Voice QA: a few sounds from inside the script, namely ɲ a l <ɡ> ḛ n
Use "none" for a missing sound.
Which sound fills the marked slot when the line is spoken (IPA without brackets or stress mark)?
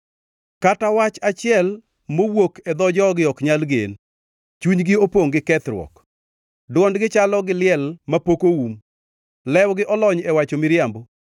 ɡ